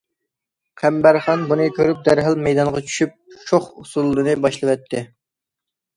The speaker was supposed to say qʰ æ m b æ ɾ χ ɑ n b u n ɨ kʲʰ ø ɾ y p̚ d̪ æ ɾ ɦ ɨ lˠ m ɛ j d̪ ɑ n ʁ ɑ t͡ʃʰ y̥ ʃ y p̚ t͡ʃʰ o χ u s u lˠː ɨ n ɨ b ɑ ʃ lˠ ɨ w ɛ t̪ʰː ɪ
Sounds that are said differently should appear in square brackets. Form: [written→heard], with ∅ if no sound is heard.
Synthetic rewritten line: qʰ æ m b æ ɾ χ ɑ n b u n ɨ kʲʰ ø ɾ y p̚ d̪ æ ɾ ɦ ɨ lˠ m ɛ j d̪ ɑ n ʁ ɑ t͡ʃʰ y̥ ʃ y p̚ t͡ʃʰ o χ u s u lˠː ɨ n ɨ b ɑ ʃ lˠ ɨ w ɛ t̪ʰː ɪ